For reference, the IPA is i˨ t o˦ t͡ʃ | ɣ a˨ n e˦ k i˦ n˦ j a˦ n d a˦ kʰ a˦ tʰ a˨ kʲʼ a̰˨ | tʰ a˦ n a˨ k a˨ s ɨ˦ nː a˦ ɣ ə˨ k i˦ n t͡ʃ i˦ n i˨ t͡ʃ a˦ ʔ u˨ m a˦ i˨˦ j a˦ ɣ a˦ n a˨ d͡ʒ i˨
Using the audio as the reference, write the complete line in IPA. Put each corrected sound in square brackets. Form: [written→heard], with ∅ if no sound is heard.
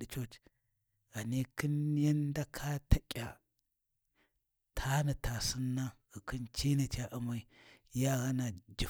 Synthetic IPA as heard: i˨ [t→t͡ʃ] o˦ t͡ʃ | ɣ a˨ n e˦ k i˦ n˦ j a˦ n d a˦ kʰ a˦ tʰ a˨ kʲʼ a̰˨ | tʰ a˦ n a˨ [k→t] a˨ s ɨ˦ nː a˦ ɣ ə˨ k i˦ n t͡ʃ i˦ n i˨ t͡ʃ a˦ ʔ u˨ m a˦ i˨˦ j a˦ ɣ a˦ n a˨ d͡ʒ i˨